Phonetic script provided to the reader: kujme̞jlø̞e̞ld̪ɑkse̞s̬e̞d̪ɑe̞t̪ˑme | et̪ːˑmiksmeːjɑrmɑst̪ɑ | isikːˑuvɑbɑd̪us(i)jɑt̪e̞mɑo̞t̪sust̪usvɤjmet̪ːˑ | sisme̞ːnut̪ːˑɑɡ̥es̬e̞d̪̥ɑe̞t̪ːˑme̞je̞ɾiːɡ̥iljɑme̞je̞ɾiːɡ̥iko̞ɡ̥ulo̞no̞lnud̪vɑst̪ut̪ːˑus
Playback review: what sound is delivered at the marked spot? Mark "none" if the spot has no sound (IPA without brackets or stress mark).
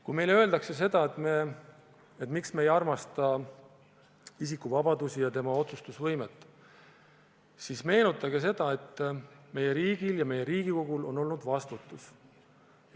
i